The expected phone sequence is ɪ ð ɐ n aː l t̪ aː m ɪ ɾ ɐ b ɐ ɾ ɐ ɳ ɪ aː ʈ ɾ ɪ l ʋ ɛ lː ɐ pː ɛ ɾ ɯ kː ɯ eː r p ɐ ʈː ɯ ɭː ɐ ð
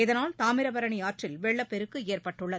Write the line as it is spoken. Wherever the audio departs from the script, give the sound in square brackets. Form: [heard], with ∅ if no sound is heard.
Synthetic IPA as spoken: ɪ ð ɐ n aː l t̪ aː m ɪ ɾ ɐ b ɐ ɾ ɐ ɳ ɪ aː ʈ [r] ɪ l ʋ ɛ [ɭː] ɐ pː ɛ ɾ ɯ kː ɯ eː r p ɐ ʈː ɯ ɭː ɐ ð

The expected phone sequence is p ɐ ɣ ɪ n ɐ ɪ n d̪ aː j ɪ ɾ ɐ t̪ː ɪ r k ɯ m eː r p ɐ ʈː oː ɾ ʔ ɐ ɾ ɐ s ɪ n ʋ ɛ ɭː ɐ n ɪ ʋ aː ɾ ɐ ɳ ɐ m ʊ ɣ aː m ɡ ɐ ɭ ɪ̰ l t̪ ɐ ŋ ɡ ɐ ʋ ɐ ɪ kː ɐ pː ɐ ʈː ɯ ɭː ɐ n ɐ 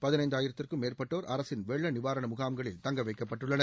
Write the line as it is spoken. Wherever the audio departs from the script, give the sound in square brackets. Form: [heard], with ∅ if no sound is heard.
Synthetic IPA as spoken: p ɐ [ð] ɪ n ɐ ɪ n d̪ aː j ɪ ɾ ɐ t̪ː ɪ r k ɯ m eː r p ɐ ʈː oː ɾ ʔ ɐ ɾ ɐ s ɪ n ʋ ɛ ɭː ɐ n ɪ ʋ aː ɾ ɐ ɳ ɐ m ʊ ɣ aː m ɡ ɐ ɭ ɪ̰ l t̪ ɐ ŋ ɡ ɐ ʋ ɐ ɪ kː ɐ pː ɐ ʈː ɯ ɭː ɐ n ɐ

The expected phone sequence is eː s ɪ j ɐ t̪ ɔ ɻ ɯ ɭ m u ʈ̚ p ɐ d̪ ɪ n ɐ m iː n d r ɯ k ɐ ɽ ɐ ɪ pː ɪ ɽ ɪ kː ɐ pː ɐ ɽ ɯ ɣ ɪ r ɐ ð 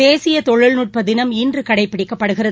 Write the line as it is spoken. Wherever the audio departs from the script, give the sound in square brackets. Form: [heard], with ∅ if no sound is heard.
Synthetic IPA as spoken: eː s ɪ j ɐ t̪ ɔ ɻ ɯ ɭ [n] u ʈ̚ p ɐ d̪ ɪ n ɐ m iː n d r ɯ k ɐ ɽ ɐ ɪ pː ɪ ɽ ɪ kː ɐ pː ɐ ɽ ɯ ɣ ɪ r ɐ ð

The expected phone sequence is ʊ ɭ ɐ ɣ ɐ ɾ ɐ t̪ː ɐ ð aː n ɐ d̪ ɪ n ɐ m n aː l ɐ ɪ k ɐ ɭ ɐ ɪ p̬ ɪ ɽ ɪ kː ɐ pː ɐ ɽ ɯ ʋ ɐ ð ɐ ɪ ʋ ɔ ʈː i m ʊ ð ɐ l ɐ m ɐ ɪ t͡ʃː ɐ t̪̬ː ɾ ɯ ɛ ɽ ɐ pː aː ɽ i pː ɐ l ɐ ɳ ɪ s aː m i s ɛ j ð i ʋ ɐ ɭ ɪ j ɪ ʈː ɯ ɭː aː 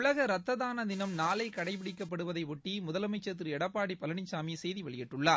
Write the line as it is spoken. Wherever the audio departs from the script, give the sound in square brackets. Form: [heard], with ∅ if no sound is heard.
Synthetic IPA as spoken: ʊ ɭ ɐ ɣ ɐ ɾ ɐ t̪ː ɐ ð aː n ɐ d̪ ɪ n ɐ m n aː l ɐ ɪ k ɐ [ɽ] ɐ ɪ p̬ ɪ ɽ ɪ kː ɐ pː ɐ ɽ ɯ ʋ ɐ ð ɐ ɪ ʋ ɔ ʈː i m ʊ ð ɐ l ɐ m ɐ ɪ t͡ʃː ɐ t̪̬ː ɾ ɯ ɛ ɽ ɐ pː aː ɽ i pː ɐ l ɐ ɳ ɪ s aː m i s ɛ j ð i ʋ ɐ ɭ ɪ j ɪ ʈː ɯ ɭː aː

